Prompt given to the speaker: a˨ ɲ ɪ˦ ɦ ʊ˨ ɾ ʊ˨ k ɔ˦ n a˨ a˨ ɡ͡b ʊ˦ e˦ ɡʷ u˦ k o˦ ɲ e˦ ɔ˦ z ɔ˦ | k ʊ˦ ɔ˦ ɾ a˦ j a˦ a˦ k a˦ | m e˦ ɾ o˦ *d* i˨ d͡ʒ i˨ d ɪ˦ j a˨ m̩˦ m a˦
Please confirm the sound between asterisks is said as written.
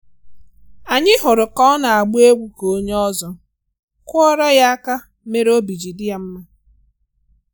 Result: no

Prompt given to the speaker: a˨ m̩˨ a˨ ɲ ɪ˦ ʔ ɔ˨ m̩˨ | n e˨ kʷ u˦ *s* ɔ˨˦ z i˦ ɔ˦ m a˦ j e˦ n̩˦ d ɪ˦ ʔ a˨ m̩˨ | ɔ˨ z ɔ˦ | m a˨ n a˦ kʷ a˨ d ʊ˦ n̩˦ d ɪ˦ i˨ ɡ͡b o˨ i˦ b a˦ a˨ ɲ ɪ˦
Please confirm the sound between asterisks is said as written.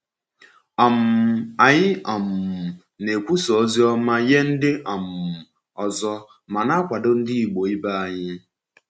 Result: yes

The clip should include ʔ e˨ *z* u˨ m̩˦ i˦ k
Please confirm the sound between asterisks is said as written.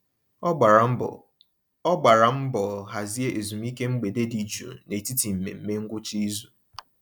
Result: yes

